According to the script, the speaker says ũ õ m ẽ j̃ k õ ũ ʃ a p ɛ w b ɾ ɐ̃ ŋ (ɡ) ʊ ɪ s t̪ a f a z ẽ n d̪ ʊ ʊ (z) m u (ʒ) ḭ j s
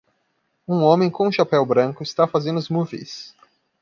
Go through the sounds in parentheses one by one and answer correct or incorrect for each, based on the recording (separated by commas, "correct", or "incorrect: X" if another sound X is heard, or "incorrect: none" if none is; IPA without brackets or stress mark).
incorrect: k, correct, incorrect: v